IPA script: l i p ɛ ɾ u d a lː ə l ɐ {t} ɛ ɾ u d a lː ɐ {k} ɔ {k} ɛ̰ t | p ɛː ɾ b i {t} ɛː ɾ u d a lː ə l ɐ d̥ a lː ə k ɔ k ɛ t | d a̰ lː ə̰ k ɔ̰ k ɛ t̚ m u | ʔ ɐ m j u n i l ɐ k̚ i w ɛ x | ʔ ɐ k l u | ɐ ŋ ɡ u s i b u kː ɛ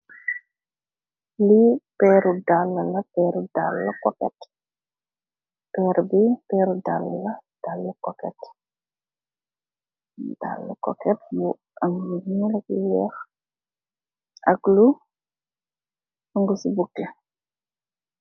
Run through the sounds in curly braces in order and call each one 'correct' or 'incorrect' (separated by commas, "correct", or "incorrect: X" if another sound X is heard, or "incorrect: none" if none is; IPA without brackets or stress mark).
incorrect: p, correct, correct, incorrect: p